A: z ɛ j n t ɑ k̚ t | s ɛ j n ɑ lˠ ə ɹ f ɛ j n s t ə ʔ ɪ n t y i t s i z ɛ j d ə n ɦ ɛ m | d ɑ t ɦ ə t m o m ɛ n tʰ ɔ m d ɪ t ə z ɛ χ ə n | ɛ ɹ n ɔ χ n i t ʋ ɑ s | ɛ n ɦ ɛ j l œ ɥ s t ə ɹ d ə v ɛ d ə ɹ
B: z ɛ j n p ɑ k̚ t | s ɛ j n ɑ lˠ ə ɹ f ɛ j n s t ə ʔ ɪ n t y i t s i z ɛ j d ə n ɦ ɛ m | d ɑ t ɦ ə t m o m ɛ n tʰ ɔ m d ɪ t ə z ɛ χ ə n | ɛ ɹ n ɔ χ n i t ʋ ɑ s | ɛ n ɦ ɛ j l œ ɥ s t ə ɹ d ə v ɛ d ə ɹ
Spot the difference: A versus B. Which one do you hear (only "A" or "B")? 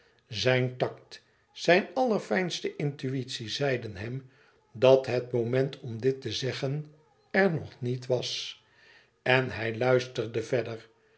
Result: A